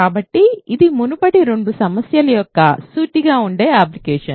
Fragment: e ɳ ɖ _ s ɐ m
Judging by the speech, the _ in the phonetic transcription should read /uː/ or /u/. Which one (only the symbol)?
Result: u